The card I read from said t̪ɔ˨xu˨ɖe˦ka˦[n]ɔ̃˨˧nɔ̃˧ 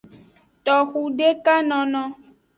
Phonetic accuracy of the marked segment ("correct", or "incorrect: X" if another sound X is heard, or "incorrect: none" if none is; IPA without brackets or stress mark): correct